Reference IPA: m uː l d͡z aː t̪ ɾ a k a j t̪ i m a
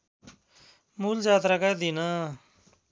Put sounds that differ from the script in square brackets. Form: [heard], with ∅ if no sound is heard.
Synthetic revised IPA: m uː l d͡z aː t̪ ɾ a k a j [d̪] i [n] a